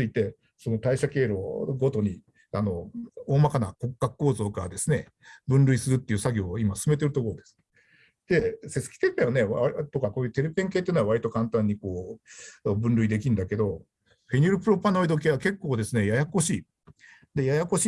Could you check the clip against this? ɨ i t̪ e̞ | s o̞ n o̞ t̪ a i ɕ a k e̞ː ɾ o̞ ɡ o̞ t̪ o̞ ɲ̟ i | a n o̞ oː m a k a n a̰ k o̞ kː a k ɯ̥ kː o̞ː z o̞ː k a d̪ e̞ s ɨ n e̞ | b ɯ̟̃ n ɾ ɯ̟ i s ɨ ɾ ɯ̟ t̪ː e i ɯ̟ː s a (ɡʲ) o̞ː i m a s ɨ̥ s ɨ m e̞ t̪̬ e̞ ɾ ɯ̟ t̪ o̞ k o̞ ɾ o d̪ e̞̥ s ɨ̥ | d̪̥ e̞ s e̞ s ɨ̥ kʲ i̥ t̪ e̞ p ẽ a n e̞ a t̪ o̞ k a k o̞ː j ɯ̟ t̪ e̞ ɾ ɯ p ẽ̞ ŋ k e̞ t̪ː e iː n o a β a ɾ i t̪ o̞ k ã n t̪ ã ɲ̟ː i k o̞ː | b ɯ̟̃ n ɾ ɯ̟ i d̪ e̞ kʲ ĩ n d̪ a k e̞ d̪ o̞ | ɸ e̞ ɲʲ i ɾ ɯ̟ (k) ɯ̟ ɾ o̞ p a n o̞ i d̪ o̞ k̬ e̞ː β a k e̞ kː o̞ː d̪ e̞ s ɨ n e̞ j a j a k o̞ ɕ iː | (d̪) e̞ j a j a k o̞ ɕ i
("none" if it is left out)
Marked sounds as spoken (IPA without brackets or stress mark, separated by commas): ɡʲ, p, d̪